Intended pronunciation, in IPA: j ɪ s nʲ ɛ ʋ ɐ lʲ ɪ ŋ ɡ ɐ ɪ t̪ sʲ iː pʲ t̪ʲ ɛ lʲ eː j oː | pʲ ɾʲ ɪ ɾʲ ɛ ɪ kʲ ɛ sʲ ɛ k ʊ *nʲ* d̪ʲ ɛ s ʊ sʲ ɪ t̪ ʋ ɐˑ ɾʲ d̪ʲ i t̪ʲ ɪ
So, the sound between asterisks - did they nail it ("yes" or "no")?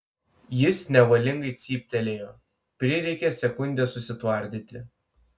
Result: yes